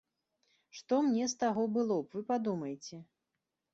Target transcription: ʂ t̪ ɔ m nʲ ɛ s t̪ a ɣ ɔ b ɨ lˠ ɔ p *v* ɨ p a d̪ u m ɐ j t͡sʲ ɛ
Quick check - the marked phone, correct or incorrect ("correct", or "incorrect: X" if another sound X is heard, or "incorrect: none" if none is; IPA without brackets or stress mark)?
correct